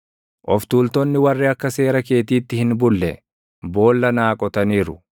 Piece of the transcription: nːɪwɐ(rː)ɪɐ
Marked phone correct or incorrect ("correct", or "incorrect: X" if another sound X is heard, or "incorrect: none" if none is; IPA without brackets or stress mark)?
correct